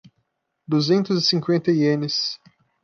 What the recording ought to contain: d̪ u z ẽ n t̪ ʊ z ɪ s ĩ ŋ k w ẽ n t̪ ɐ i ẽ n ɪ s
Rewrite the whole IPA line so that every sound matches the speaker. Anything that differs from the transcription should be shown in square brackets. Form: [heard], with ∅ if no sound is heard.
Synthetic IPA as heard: d̪ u z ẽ n t̪ ʊ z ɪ s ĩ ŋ k w ẽ n t̪ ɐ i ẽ n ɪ s